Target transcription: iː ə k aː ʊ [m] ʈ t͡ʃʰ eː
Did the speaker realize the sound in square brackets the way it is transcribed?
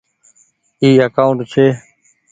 no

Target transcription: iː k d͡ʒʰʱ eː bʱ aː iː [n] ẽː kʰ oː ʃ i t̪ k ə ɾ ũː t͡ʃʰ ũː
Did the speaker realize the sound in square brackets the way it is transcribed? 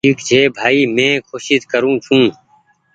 no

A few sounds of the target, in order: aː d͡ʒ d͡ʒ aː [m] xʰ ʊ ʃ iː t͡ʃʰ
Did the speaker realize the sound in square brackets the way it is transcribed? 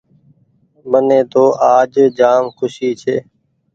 yes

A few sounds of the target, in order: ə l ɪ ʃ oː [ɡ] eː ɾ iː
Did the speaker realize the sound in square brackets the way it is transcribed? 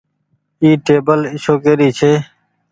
no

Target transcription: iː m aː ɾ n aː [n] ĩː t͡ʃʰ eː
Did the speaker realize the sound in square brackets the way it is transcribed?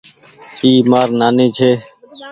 yes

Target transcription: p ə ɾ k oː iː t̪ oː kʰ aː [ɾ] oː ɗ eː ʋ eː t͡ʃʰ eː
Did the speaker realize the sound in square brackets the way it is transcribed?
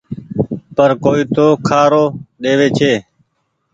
yes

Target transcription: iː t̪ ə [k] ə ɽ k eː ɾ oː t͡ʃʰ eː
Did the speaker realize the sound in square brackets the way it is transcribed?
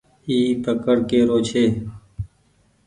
yes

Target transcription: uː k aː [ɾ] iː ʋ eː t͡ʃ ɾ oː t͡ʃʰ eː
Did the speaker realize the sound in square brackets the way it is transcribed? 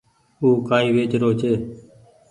no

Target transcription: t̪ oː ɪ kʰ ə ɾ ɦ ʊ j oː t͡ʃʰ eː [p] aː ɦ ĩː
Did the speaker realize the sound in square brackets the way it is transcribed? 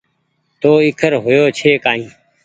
no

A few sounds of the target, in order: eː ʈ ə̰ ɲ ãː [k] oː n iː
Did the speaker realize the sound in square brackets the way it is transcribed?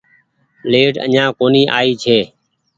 yes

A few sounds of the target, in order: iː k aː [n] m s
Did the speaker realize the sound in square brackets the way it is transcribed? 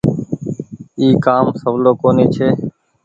no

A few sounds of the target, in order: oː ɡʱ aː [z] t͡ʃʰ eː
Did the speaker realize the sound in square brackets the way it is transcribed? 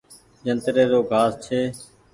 no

